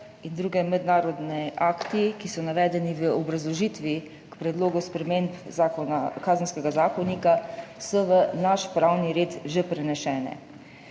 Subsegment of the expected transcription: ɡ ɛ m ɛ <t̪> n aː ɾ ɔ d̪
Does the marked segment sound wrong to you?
yes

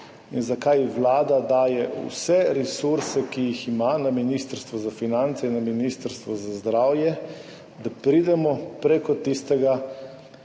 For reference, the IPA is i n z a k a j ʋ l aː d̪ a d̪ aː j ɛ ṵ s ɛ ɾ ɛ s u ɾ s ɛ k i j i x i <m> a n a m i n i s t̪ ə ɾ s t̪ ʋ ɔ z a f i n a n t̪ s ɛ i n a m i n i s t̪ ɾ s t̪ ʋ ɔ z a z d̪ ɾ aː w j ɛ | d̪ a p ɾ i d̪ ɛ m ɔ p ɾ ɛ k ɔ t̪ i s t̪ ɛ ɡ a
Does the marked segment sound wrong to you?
no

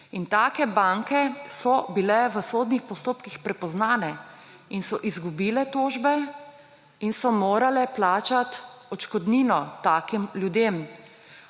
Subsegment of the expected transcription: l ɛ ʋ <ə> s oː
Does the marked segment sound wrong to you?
no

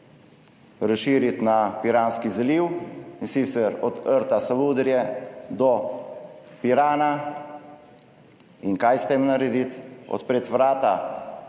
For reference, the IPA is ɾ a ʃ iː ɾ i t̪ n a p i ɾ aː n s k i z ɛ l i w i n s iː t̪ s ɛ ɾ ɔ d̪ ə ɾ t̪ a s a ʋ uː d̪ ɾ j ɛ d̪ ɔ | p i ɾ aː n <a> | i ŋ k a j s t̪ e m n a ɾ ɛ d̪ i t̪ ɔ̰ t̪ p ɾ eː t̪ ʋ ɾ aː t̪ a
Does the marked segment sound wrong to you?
no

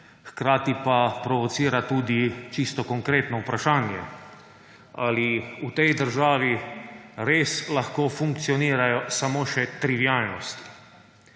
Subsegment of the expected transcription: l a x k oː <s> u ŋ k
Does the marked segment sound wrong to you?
yes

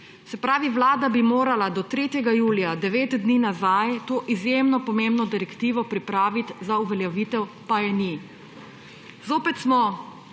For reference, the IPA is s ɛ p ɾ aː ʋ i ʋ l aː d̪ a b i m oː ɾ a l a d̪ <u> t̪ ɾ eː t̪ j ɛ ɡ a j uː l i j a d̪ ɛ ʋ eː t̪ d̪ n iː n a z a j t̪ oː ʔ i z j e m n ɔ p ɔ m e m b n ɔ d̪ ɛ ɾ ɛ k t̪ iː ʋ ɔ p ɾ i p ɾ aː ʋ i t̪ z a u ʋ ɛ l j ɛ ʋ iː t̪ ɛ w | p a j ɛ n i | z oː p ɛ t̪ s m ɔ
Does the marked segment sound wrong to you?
yes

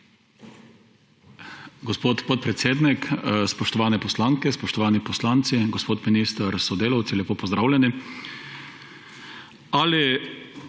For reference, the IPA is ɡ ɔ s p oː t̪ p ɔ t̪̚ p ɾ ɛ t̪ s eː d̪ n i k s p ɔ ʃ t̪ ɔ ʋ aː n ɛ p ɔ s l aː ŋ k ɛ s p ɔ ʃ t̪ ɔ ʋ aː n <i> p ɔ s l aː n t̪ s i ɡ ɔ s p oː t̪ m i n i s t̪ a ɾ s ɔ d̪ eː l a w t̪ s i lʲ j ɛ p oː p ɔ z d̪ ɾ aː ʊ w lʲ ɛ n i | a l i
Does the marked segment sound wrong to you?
no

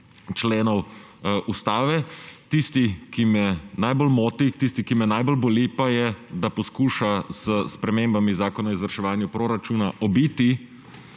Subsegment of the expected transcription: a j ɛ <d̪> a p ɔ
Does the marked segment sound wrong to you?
no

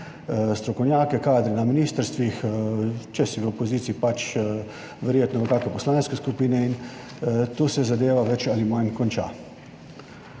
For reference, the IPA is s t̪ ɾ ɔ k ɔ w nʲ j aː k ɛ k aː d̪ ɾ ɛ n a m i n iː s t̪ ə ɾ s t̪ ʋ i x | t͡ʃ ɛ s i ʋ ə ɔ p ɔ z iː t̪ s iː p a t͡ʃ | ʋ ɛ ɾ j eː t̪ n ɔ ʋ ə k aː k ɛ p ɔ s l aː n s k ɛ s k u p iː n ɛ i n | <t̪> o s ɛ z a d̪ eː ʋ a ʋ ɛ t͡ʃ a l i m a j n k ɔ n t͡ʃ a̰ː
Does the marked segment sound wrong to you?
no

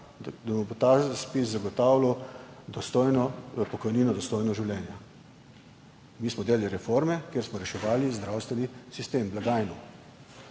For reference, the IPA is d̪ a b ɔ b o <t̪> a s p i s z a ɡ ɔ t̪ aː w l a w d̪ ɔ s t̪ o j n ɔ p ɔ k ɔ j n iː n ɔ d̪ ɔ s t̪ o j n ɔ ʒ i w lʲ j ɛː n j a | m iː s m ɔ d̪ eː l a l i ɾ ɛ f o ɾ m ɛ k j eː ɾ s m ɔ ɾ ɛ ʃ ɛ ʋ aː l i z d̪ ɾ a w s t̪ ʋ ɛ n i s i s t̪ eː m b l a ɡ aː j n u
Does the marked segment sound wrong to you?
no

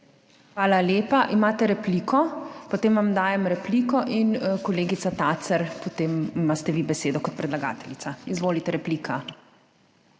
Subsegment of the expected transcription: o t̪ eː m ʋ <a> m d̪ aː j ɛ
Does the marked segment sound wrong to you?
no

